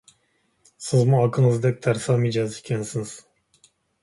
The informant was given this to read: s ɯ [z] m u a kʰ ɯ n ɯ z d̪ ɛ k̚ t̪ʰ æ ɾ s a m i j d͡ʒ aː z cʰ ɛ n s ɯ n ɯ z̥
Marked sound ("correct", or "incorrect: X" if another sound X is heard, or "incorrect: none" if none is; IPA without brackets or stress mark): correct